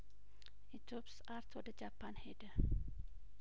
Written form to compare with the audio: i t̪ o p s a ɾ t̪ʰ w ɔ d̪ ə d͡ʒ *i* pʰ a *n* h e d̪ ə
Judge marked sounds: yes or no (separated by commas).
no, yes